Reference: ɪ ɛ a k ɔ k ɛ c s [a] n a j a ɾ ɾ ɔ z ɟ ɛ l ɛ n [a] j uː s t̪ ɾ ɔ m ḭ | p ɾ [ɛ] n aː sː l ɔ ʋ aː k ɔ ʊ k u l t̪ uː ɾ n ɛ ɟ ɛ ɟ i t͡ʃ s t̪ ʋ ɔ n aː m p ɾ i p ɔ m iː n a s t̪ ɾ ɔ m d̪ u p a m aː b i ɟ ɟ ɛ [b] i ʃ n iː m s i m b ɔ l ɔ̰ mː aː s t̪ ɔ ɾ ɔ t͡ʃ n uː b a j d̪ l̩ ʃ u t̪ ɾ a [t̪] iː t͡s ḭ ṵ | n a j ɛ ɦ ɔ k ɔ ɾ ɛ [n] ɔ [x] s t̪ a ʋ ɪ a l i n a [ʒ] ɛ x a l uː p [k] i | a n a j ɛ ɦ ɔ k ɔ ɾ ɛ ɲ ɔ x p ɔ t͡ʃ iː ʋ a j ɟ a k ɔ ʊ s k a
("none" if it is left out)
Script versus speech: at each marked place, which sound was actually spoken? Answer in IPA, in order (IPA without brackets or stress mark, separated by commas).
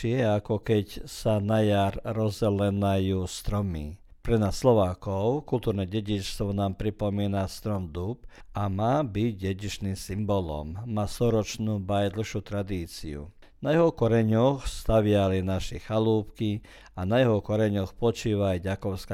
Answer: a, a, ɛ, ɟ, d̪, ɲ, x, ʃ, k